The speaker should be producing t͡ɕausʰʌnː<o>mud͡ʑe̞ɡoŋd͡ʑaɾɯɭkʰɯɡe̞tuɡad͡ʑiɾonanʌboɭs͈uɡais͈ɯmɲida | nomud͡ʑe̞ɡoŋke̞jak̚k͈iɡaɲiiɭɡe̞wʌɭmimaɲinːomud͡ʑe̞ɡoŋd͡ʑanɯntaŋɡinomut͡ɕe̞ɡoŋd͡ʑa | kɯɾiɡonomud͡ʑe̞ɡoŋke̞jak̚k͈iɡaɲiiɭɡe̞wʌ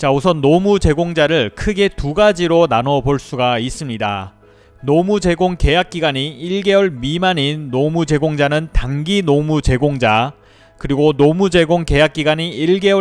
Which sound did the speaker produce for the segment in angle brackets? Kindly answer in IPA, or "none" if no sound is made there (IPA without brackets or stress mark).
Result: o